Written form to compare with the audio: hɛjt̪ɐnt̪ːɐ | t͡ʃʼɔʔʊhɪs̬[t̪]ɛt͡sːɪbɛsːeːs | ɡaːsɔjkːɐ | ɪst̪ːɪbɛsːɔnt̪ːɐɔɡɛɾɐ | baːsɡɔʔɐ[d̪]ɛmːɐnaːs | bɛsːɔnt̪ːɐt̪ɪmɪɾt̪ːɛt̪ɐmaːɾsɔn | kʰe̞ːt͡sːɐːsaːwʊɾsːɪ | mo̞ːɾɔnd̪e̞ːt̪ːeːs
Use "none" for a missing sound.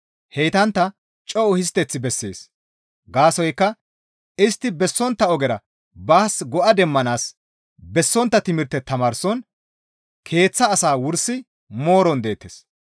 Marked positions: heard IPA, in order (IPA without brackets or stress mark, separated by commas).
t̪, d̪